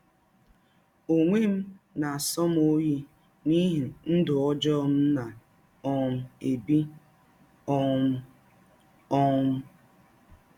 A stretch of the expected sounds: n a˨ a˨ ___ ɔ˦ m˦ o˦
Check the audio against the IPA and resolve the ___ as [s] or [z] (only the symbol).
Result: s